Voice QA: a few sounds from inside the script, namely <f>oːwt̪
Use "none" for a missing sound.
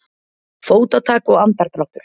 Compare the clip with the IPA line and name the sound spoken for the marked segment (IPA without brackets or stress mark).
f